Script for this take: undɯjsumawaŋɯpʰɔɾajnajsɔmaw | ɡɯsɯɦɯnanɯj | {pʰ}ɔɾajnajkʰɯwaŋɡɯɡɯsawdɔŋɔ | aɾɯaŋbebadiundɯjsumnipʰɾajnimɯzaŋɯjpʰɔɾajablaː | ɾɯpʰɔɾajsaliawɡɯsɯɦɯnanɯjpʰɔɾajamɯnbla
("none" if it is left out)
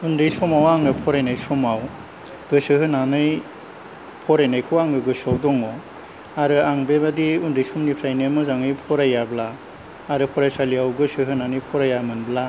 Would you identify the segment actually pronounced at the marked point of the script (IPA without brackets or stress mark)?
pʰ